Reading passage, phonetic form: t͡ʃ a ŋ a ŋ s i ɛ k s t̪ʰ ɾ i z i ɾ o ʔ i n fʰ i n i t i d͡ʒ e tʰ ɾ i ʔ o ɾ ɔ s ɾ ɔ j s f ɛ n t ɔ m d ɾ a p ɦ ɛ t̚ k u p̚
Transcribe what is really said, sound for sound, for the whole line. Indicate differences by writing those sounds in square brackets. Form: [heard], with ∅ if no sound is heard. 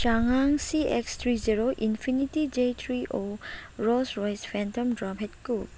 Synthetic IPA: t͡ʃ a ŋ a ŋ s i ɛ k s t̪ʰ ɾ i z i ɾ o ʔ i n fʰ i n i t i d͡ʒ e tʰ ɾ i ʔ o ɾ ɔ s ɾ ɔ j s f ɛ n t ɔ m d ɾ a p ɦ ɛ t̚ k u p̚